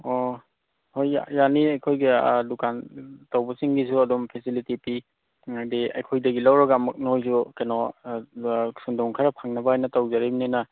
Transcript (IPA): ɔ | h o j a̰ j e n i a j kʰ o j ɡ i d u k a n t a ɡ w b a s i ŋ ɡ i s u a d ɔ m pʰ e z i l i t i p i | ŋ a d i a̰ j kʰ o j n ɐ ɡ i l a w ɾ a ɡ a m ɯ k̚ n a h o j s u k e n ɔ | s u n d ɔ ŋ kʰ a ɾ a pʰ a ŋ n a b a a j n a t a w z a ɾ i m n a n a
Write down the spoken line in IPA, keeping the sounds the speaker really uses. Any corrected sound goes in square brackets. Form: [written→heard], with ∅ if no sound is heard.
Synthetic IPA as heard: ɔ | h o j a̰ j [e→a] n i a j kʰ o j ɡ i d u k a n t a [ɡ→∅] w b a s i ŋ ɡ i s u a d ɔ m pʰ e [z→s] i l i t i p i | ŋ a d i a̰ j kʰ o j [n→d] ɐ ɡ i l a w ɾ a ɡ a m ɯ k̚ n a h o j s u k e n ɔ | s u n d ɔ ŋ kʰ a ɾ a pʰ a ŋ n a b a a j n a t a w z a ɾ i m n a n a